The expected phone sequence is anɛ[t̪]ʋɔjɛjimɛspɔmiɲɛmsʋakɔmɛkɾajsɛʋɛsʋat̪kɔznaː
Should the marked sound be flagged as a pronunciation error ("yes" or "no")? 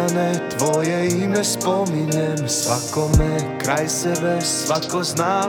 no